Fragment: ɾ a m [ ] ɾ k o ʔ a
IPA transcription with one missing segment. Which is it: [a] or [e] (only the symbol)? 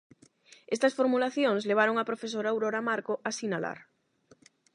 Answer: a